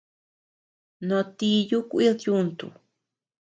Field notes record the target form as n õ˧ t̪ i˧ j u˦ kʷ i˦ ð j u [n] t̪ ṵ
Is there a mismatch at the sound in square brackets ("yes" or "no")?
no